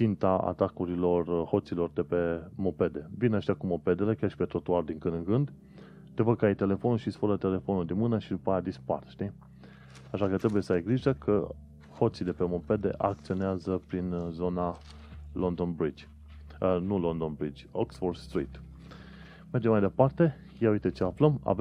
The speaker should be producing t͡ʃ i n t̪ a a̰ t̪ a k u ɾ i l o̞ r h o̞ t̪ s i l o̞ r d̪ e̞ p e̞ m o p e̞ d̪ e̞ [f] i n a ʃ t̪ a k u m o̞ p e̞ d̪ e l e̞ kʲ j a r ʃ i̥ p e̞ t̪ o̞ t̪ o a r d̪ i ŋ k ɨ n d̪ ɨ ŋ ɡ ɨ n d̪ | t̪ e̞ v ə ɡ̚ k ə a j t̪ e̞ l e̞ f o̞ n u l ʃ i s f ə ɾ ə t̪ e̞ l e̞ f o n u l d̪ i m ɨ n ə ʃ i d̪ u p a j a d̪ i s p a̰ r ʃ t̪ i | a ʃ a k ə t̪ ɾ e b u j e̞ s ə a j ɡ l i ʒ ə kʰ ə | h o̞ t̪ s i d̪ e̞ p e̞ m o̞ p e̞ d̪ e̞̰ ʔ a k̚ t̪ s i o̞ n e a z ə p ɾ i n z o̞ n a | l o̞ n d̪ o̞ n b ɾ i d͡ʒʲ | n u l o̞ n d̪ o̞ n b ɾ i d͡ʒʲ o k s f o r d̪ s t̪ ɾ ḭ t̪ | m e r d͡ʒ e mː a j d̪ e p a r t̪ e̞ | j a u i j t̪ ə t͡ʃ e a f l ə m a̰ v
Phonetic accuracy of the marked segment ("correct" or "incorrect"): incorrect